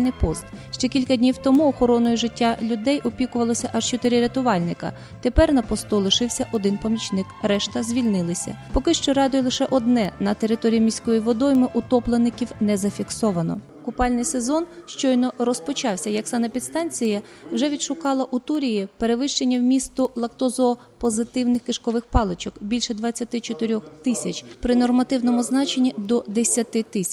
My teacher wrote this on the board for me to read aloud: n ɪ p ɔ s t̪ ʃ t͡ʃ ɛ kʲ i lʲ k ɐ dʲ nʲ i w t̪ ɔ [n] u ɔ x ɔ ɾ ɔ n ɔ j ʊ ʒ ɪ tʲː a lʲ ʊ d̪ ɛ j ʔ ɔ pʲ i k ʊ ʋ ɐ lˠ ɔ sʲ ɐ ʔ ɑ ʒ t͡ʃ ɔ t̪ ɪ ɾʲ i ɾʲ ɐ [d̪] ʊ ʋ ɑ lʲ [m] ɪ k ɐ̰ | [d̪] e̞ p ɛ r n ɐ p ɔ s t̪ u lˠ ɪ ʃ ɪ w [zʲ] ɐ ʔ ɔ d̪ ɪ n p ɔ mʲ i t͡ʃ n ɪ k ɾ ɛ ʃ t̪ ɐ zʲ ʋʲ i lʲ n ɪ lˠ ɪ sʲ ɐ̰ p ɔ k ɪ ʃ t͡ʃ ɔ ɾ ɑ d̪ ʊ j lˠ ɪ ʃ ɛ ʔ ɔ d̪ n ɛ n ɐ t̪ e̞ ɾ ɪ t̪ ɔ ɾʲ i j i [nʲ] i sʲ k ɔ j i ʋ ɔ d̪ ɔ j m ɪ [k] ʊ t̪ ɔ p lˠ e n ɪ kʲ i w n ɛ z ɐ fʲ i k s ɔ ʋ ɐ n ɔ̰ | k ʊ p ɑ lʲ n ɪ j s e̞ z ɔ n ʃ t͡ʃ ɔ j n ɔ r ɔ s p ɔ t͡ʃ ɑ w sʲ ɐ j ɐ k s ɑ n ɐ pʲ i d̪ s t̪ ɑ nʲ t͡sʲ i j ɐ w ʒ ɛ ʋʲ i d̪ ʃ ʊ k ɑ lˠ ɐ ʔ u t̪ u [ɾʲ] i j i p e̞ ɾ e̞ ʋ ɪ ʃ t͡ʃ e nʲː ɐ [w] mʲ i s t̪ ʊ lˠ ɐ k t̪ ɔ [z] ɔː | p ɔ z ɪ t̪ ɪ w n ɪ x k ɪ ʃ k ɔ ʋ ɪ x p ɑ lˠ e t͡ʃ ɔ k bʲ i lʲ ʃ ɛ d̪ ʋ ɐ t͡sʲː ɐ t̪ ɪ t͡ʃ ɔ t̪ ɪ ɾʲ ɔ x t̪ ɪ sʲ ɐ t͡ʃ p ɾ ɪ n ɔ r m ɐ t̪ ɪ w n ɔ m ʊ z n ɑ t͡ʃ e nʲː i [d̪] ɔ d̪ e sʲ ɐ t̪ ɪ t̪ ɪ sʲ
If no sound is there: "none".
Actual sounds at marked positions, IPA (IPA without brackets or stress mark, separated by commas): m, t̪, n, t̪, sʲ, mʲ, ʔ, ɾʲ, w, z, d̪